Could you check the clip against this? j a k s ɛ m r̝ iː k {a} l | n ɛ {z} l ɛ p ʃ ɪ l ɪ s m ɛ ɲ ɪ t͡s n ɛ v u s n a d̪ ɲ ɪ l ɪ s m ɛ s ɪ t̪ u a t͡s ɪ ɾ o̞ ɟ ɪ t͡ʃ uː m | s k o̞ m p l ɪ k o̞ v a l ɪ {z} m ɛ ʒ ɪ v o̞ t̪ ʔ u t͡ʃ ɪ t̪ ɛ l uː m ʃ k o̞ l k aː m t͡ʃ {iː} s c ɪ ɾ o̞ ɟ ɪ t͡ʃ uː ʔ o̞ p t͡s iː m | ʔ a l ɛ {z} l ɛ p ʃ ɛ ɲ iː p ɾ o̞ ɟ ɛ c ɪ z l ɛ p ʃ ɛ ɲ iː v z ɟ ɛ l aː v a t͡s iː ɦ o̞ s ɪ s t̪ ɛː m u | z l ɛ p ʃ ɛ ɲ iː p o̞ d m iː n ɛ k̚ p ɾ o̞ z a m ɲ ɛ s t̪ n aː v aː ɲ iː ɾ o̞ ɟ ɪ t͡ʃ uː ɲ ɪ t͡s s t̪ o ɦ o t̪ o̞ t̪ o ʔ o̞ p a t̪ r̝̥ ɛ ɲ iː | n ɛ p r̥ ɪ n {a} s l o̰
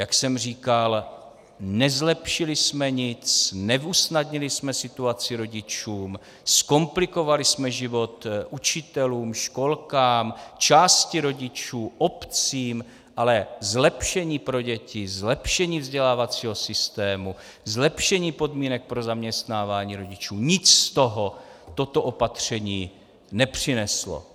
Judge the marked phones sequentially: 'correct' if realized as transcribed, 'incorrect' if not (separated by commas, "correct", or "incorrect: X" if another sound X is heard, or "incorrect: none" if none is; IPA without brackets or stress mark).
correct, correct, incorrect: s, incorrect: aː, correct, incorrect: ɛ